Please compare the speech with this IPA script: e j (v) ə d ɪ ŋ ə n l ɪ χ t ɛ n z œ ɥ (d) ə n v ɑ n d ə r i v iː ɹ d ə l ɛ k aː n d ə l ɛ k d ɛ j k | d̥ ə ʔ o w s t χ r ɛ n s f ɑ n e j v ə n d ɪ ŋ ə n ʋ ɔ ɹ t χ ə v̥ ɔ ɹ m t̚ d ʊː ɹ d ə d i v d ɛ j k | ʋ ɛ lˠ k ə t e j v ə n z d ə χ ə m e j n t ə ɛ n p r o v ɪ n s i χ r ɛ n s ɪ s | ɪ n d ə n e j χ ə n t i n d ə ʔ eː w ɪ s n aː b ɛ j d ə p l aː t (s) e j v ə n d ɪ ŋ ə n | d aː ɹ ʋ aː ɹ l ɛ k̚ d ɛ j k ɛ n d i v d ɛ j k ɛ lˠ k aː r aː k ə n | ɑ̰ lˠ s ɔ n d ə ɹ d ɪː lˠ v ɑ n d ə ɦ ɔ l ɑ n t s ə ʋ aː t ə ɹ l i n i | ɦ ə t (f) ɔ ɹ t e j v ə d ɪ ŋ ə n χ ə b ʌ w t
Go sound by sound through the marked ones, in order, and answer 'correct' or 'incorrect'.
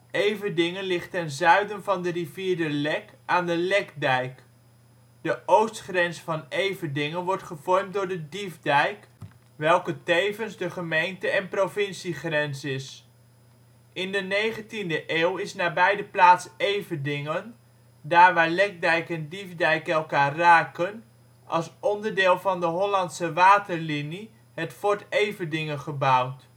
correct, correct, correct, correct

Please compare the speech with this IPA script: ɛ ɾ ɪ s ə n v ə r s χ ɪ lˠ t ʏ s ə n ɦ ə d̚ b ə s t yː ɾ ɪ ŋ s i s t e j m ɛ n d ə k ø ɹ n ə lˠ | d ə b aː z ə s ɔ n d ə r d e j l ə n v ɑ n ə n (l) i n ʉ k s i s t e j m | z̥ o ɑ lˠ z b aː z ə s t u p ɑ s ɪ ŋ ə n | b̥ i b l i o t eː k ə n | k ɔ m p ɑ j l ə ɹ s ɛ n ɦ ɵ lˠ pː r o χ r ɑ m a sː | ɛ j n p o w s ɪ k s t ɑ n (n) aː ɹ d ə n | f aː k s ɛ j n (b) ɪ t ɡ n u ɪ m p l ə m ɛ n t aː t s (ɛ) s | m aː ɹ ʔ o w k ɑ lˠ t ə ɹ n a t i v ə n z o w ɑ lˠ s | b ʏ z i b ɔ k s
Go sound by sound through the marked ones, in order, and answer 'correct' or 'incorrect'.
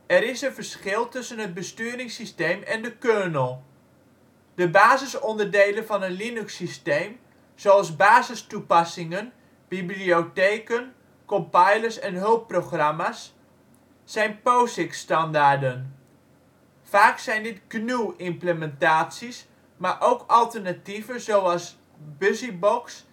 correct, incorrect, incorrect, incorrect

